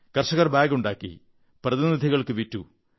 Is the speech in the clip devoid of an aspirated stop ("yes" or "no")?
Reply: yes